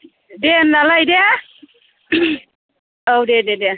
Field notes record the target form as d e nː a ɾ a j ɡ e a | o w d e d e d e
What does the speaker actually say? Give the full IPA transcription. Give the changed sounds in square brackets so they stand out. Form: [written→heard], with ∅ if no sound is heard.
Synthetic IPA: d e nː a [ɾ→l] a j [ɡ→d] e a | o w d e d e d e